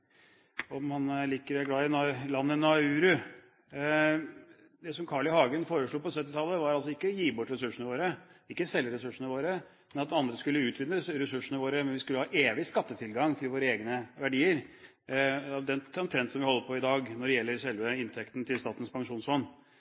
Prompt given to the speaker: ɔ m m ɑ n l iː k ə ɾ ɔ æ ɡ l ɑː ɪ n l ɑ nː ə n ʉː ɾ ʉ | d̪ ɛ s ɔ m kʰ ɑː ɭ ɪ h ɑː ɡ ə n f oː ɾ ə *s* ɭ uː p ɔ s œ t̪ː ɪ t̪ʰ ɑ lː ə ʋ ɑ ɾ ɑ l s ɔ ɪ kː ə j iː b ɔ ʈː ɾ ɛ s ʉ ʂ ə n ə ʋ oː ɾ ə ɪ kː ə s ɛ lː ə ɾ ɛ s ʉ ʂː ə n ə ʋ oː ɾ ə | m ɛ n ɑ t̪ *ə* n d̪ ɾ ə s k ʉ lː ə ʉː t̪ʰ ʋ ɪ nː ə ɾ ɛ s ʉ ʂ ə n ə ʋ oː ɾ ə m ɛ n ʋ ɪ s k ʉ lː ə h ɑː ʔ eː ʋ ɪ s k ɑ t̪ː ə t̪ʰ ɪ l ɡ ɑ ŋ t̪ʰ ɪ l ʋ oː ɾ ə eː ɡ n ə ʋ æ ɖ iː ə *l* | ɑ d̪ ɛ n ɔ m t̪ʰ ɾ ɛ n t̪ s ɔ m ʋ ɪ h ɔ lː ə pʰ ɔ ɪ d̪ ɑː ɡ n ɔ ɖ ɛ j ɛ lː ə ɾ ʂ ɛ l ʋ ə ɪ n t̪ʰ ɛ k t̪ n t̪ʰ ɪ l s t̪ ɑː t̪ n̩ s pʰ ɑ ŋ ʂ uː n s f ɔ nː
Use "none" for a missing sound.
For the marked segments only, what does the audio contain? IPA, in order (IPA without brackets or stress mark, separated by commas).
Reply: ʂ, ɑ, ɾ